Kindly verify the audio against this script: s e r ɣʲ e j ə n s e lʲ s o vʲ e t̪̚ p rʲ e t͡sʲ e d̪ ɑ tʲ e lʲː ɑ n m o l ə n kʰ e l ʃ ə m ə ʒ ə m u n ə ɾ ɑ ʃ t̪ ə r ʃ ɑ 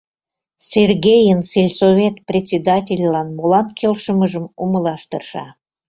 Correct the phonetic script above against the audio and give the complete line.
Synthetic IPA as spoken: s e r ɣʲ e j ə n s e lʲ s o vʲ e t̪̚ p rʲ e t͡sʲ e d̪ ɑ tʲ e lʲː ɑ n m o l ɑ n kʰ e l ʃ ə m ə ʒ ə m u m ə l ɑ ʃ t̪ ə r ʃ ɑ